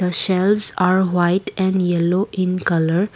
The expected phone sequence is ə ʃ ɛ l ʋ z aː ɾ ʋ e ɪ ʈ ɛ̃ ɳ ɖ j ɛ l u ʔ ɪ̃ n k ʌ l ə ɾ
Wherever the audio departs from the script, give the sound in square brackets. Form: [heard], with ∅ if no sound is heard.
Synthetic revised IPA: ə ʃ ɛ l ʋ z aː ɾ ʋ [a] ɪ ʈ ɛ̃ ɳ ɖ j ɛ l [o] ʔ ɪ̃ n k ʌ l ə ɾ